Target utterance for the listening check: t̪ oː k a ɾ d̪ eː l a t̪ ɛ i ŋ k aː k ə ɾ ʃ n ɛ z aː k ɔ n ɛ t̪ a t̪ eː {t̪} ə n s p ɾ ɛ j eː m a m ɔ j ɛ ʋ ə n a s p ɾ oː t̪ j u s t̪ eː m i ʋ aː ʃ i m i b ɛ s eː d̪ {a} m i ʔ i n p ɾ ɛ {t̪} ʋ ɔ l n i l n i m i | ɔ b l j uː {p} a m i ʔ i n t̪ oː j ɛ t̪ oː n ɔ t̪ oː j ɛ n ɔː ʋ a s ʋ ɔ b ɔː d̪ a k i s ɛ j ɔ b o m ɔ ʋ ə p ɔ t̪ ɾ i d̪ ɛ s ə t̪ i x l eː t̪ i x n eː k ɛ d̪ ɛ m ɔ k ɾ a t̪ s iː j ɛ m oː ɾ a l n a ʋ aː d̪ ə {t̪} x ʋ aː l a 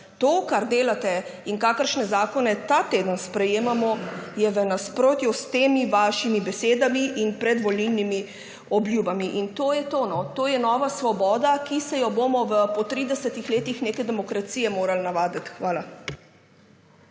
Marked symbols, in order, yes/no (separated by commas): no, yes, no, no, yes